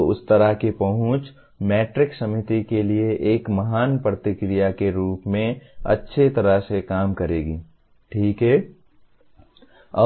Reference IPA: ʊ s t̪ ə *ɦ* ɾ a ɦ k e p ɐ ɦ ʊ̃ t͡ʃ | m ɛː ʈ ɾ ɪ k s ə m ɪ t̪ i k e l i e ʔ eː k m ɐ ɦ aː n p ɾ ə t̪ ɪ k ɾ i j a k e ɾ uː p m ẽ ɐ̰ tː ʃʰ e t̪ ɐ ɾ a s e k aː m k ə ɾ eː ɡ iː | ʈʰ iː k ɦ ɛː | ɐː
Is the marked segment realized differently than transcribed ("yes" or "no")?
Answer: yes